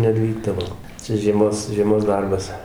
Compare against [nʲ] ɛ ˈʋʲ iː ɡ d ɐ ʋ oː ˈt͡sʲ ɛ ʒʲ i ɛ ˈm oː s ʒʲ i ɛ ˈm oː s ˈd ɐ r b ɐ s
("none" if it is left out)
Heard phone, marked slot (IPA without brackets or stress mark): nʲ